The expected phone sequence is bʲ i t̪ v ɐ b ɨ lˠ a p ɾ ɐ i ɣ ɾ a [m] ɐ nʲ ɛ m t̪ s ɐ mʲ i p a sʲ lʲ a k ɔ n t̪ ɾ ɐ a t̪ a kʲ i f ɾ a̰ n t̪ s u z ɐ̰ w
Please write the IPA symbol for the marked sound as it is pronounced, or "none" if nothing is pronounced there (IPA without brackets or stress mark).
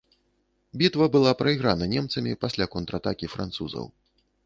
n